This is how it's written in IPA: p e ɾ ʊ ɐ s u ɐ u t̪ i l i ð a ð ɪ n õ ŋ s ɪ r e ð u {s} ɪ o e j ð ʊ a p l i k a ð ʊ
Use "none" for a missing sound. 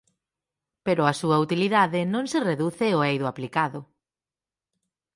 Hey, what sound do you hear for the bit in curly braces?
θ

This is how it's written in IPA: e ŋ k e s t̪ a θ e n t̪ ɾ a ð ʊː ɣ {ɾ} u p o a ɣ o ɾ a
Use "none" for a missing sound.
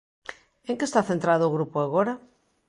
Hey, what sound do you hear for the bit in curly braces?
ɾ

